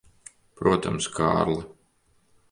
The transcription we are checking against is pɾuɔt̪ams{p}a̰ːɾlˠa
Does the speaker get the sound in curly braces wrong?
yes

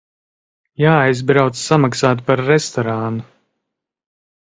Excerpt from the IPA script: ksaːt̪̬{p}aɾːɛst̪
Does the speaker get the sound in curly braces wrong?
no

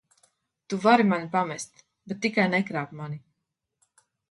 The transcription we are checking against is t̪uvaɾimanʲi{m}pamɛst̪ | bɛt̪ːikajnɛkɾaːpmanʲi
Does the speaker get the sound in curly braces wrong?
yes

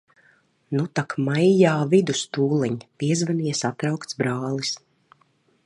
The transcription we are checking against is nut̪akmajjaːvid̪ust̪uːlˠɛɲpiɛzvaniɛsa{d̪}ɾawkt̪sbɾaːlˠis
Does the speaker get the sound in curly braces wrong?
yes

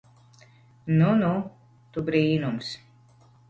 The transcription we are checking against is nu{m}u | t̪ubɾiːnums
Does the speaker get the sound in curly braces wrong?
yes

